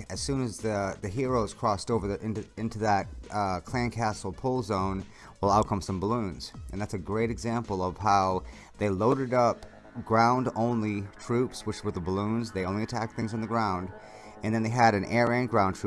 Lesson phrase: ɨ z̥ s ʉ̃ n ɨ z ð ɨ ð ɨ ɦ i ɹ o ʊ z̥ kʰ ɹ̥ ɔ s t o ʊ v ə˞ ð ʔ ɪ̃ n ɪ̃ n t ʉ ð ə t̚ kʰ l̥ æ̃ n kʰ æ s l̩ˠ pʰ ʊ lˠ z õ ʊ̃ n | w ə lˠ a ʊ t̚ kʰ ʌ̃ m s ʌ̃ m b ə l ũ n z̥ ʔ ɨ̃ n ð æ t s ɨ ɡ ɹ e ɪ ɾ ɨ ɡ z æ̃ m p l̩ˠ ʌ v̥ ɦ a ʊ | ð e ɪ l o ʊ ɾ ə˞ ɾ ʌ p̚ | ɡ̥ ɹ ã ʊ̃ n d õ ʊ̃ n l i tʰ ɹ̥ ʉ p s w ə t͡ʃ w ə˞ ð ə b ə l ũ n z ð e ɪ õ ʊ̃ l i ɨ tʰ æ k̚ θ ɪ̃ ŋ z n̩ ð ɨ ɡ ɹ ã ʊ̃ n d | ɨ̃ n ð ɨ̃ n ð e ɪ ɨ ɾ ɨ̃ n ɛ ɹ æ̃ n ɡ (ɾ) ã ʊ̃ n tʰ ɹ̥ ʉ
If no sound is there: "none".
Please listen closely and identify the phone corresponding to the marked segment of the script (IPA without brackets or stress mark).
ɹ